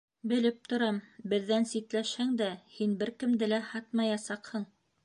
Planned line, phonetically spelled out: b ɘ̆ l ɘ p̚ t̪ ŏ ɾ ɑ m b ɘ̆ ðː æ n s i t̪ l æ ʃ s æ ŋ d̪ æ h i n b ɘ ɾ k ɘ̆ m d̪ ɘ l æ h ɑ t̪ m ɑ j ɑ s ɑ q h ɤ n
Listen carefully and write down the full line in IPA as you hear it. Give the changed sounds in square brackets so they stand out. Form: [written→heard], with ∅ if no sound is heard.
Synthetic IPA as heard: b ɘ̆ l ɘ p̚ t̪ ŏ ɾ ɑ m b ɘ̆ ðː æ n s i t̪ l æ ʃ [s→h] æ ŋ d̪ æ h i n b ɘ ɾ k ɘ̆ m d̪ ɘ l æ h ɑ t̪ m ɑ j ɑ s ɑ q h ɤ [n→ɴ]